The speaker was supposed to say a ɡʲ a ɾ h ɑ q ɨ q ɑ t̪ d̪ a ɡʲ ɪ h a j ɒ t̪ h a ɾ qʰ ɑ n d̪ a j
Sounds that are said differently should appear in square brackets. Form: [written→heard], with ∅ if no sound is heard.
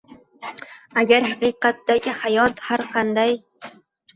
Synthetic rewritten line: a ɡʲ a ɾ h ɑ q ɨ q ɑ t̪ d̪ a ɡʲ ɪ h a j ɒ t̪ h a ɾ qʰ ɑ n d̪ a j